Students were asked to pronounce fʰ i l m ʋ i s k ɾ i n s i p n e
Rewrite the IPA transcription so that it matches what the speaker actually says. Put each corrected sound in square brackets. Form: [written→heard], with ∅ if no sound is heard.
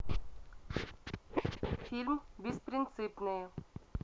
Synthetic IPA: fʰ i l m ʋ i s [k→p] ɾ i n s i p n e